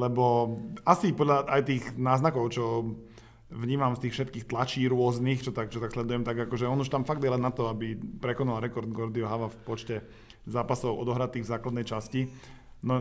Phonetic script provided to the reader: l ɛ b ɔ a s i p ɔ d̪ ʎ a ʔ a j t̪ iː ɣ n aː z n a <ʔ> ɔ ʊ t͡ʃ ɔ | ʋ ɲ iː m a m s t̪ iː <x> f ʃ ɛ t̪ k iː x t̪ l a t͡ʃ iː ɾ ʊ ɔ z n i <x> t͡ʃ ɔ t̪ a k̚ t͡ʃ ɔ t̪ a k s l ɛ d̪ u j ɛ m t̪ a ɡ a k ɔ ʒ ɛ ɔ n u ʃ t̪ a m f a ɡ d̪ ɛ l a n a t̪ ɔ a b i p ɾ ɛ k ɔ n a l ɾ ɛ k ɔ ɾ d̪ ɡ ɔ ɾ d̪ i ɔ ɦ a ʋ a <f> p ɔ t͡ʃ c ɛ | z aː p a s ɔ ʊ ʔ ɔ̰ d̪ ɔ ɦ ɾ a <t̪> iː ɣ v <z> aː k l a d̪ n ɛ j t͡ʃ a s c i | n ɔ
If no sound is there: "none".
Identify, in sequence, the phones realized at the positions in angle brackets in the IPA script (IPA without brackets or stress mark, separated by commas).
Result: k, x, x, f, t̪, z